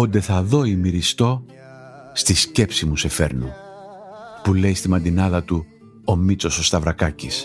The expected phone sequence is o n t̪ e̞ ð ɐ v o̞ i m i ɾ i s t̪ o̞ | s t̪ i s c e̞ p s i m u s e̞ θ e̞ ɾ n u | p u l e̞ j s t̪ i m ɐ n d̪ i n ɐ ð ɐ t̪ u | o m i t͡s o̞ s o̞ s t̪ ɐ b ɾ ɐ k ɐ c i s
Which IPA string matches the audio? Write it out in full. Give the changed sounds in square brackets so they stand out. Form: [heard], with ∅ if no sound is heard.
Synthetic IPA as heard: o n [d̪] e̞ [θ] ɐ [ð] o̞ i m i ɾ i s t̪ o̞ | s t̪ i s c e̞ p s i m u s e̞ [f] e̞ ɾ n u | p u l e̞ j s t̪ i m ɐ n d̪ i n ɐ ð ɐ t̪ u | o m i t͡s o̞ s o̞ s t̪ ɐ [v] ɾ ɐ k ɐ c i s